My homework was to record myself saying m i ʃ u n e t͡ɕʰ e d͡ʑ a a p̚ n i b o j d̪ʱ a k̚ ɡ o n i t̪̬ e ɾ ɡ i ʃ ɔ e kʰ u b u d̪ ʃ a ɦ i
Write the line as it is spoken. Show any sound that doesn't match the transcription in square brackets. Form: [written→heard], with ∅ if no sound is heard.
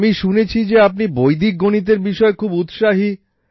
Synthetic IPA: m i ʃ u n e t͡ɕʰ [e→i] d͡ʑ [a→e] a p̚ n i b o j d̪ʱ [a→i] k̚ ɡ o n i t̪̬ e ɾ [ɡ→b] i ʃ ɔ e kʰ u b u [d̪→t̪] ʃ a ɦ i